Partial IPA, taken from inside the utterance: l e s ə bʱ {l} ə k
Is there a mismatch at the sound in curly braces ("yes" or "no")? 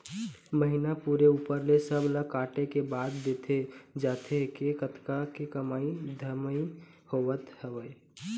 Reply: no